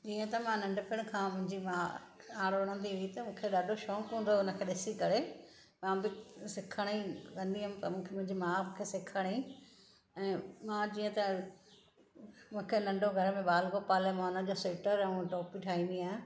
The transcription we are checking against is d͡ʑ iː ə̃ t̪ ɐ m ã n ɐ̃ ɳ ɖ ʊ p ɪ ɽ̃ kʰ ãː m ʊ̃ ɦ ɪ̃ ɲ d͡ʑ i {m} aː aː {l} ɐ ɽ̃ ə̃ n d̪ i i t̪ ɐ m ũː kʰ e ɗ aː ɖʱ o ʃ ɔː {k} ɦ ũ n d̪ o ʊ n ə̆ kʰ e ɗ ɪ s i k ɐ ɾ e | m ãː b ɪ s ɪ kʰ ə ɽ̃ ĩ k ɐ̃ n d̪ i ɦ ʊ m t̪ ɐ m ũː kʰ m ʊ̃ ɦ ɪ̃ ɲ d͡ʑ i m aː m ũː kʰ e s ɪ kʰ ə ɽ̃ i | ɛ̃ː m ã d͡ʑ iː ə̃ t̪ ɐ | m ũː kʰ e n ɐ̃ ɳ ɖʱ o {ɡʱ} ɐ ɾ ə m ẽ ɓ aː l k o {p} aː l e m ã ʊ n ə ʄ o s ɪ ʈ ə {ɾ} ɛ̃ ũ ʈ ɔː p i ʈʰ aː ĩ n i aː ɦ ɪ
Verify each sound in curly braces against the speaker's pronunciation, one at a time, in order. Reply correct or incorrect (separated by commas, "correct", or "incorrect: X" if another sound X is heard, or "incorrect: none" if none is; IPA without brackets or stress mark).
correct, incorrect: ɽ, correct, correct, correct, correct